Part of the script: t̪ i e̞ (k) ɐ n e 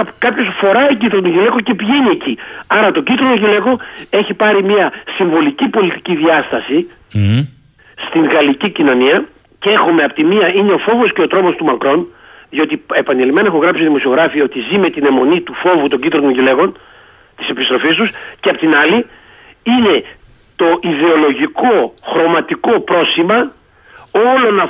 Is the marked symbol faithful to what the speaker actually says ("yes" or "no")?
no